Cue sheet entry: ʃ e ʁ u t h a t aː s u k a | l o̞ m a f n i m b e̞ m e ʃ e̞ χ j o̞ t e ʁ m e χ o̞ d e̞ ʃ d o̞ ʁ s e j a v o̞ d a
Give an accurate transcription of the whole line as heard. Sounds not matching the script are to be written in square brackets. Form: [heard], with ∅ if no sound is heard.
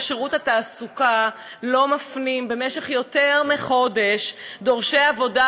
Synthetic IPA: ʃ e ʁ u t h a t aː s u k a | l o̞ m a f n i m b e̞ m e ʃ e̞ χ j o̞ t e ʁ m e χ o̞ d e̞ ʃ d o̞ ʁ [ʃ] e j a v o̞ d a

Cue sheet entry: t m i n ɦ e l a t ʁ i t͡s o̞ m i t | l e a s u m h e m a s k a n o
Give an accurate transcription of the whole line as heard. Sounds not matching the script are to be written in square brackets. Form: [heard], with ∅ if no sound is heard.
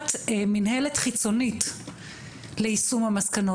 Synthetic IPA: t m i n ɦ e l [e] t [χ] i t͡s o̞ [n] i t | l e [i] s u m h [a] m a s k a n o

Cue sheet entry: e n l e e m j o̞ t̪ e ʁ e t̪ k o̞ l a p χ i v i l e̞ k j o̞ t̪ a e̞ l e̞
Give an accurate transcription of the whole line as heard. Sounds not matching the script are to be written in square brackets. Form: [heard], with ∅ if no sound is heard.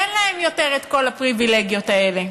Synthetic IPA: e n l [a] e m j o̞ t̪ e ʁ e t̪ k o̞ l a p [ʁ] i v i l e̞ [ɡ] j o̞ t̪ a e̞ l e̞

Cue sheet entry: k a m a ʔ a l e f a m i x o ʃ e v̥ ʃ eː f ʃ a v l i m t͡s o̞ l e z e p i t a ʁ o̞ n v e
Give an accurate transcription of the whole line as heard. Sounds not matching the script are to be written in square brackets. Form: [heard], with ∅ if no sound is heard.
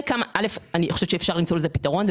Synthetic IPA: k a m a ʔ a l e f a [n] i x o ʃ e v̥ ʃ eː f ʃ a [ʁ] l i m t͡s o̞ l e z e p i t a ʁ o̞ n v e

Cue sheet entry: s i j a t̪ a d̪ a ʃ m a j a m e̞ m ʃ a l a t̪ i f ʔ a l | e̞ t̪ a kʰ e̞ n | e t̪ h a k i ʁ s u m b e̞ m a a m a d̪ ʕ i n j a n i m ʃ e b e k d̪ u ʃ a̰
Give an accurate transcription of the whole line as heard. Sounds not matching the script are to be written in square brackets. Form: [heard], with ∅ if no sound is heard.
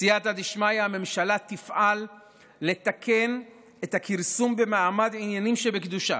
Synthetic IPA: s i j a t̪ a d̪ [i] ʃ m a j a m e̞ m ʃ a l a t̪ i f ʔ a [lː] | e̞ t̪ a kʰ e̞ n | e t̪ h a k i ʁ s u m b e̞ m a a m a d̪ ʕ i n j a n i m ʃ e b e k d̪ u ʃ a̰

